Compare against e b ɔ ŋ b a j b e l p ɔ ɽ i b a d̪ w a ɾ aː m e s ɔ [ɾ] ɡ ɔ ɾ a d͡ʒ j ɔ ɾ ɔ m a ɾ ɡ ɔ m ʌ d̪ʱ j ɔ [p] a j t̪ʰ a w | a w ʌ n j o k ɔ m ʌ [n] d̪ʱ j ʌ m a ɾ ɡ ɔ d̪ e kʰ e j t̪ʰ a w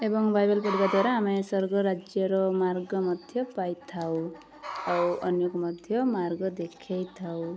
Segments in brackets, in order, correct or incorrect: correct, correct, incorrect

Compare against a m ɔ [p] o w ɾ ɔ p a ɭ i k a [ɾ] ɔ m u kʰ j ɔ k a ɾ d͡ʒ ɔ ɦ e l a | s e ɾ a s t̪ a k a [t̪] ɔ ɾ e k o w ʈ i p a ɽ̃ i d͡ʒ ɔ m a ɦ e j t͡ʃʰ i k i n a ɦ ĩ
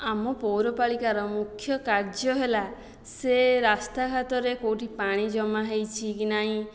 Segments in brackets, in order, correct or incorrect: correct, correct, correct

